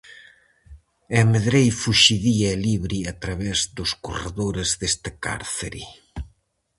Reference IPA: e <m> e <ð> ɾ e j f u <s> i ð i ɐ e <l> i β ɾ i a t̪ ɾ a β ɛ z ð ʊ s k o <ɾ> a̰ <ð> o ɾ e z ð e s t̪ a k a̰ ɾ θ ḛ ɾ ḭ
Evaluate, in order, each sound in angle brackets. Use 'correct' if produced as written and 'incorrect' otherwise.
correct, correct, incorrect, correct, incorrect, correct

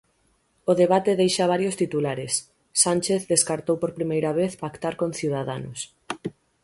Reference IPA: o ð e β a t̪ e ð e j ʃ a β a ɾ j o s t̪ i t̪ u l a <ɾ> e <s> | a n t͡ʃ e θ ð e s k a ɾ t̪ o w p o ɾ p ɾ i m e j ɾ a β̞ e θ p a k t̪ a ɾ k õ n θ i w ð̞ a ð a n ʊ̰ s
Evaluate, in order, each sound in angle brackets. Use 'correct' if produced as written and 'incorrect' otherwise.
correct, incorrect

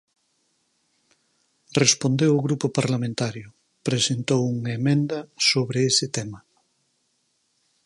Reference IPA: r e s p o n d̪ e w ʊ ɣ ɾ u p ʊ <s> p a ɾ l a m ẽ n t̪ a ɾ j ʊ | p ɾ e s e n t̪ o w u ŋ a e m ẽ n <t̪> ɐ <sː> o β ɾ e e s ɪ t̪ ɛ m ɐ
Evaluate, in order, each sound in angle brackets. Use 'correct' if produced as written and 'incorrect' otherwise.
incorrect, incorrect, incorrect

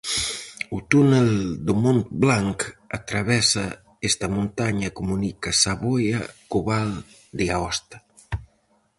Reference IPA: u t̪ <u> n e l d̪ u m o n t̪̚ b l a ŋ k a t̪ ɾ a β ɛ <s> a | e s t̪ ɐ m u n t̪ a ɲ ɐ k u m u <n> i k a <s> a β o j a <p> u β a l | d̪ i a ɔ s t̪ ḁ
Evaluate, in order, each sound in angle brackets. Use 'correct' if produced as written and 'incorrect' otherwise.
correct, correct, correct, correct, incorrect

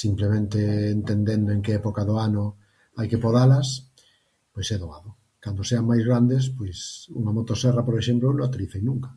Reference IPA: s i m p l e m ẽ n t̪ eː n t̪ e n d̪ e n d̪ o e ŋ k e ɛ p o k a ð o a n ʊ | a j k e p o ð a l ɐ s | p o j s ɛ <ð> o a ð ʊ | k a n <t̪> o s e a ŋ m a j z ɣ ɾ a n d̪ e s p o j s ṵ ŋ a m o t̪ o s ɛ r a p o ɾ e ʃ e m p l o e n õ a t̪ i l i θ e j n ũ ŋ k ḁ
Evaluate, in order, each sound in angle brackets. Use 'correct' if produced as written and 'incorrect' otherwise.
correct, incorrect

